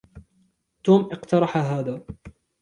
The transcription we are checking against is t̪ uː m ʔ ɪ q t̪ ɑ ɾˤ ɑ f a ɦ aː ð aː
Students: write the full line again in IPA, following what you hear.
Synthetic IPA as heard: t̪ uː m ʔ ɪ q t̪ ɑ ɾˤ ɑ ħ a ɦ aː ð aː